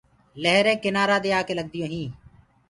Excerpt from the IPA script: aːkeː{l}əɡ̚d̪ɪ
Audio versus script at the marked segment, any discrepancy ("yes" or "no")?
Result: no